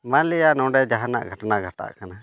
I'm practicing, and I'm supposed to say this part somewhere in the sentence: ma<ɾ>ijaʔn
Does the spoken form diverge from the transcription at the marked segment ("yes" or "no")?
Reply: yes